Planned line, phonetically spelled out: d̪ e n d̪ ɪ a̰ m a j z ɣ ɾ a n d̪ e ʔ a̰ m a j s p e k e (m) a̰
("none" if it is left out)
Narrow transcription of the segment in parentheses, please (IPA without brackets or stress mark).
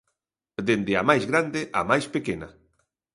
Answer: n